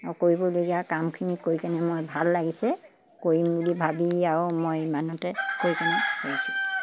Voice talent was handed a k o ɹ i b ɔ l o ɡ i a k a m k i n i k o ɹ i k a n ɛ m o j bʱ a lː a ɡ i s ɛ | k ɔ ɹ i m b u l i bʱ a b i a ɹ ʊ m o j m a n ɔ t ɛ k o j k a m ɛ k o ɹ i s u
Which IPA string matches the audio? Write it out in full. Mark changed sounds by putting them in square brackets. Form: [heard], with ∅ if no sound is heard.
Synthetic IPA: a k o ɹ i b ɔ l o ɡ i a k a m [kʰ] i n i k o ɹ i k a n ɛ m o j bʱ a lː a ɡ i s ɛ | k [o] ɹ i m b u l i bʱ a b i a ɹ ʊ m o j m a n ɔ t ɛ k o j k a [n] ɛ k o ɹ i s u